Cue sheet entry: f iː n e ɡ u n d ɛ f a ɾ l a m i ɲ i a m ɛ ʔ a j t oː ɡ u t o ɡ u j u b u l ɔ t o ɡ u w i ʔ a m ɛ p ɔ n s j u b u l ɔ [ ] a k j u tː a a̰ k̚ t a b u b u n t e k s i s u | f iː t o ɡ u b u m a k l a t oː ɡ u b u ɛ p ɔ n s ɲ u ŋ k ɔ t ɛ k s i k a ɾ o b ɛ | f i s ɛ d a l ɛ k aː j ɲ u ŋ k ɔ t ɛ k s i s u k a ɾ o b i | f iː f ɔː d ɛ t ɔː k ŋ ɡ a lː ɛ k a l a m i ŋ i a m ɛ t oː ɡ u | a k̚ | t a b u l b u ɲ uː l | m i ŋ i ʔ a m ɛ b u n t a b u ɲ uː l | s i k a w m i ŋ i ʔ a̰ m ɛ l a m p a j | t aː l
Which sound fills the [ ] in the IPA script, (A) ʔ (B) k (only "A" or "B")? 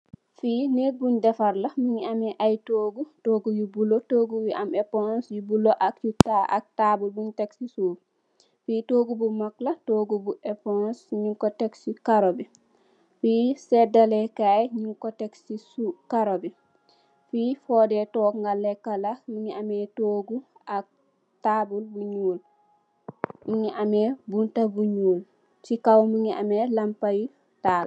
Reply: A